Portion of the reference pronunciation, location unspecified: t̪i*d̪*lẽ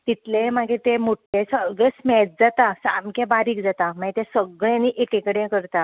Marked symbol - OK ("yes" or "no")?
no